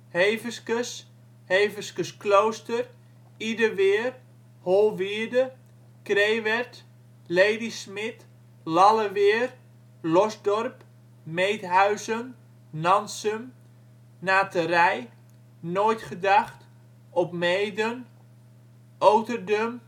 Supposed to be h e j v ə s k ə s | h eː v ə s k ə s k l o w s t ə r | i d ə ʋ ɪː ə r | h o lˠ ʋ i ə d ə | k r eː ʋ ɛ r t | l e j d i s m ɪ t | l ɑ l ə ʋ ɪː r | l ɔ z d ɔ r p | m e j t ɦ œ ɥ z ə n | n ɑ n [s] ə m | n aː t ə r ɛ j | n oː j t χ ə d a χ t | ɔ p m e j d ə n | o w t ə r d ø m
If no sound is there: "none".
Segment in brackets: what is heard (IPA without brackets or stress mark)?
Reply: s